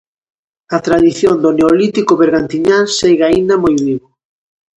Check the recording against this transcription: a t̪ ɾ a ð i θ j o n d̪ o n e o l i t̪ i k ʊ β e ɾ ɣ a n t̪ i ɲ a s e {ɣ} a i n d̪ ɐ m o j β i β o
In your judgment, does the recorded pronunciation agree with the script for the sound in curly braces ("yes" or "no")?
yes